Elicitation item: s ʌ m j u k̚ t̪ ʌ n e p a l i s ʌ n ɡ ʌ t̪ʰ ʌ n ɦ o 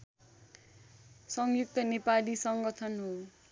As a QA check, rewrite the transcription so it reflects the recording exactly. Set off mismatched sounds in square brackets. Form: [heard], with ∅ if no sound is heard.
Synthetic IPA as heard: s ʌ [ŋ] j u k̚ t̪ ʌ n e p a l i s ʌ [ŋ] ɡ ʌ t̪ʰ ʌ n ɦ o